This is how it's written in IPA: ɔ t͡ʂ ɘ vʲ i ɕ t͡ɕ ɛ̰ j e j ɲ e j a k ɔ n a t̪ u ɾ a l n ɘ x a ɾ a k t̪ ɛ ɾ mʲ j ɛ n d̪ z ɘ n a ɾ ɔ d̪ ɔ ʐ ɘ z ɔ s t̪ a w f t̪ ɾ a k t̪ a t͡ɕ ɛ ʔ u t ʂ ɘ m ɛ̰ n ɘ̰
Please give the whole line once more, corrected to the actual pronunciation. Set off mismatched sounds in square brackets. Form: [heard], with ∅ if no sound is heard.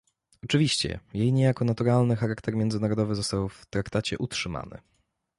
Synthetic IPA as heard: ɔ t͡ʂ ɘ vʲ i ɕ t͡ɕ ɛ̰ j e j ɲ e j a k ɔ n a t̪ u ɾ a l n ɘ x a ɾ a k t̪ ɛ ɾ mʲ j ɛ n d̪ z ɘ n a ɾ ɔ d̪ ɔ [v] ɘ z ɔ s t̪ a w f t̪ ɾ a k t̪ a t͡ɕ ɛ ʔ u t ʂ ɘ m [a̰] n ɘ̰